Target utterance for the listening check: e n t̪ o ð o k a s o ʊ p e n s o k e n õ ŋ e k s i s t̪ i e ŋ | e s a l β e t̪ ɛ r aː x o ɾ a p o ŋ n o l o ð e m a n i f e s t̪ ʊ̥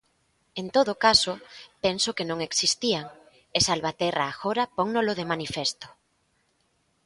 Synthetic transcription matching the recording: e n t̪ o ð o k a s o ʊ p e n s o k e n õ ŋ e k s i s t̪ i a ŋ | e s a l β a t̪ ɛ r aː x o ɾ a p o ŋ n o l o ð e m a n i f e s t̪ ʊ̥